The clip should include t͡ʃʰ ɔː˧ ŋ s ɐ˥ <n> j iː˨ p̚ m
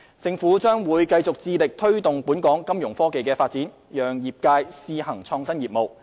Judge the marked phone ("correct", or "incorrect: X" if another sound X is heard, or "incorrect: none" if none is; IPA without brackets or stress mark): correct